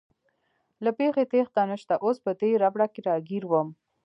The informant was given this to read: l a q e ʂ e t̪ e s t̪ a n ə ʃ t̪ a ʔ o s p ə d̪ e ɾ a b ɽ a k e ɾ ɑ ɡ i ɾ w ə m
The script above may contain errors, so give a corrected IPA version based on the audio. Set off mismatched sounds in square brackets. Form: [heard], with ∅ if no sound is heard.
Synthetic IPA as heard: l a [p] e [x] e t̪ e [x] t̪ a n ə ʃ t̪ a ʔ o s p ə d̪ e ɾ a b ɽ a k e ɾ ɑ ɡ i ɾ w ə m